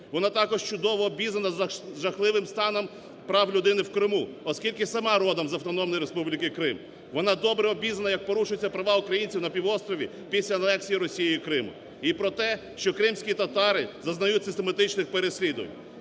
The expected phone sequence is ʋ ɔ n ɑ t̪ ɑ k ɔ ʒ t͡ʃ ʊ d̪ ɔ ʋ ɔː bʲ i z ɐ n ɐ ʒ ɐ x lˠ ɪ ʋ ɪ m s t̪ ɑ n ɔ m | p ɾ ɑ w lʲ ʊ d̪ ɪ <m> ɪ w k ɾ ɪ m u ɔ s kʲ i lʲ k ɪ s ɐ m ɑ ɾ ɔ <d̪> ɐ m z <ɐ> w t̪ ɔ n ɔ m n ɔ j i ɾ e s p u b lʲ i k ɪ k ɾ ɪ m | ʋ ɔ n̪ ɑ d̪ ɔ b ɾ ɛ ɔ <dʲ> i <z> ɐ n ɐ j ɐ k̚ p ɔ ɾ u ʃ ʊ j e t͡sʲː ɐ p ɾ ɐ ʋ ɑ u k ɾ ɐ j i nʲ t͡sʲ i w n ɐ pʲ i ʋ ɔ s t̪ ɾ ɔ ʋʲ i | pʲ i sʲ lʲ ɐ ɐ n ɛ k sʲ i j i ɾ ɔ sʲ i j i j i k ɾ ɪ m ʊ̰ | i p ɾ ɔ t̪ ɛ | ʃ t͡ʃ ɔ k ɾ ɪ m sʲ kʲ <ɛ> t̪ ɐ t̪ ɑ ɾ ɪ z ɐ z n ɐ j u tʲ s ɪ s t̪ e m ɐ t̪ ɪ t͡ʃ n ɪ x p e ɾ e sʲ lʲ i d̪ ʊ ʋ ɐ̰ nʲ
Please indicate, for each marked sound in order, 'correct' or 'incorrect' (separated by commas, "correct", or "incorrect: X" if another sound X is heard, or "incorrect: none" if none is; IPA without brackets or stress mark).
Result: incorrect: n, correct, correct, incorrect: bʲ, correct, incorrect: i